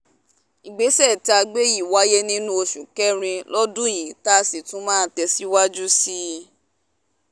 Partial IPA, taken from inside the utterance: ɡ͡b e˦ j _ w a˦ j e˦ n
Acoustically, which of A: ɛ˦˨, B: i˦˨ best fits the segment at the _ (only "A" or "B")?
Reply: B